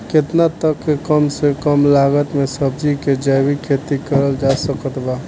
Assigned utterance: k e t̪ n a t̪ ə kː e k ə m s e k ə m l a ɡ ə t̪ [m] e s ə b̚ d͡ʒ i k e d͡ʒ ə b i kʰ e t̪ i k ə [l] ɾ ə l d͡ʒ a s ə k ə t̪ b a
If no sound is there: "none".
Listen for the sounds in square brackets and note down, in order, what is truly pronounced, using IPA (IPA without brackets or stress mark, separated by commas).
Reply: m, none